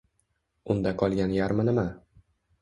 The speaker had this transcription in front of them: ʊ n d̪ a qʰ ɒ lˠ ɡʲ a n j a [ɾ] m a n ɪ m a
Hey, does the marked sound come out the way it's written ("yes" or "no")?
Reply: yes